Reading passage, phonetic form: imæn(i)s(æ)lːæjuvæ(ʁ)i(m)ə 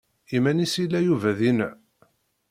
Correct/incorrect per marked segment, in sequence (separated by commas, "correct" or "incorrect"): correct, incorrect, incorrect, incorrect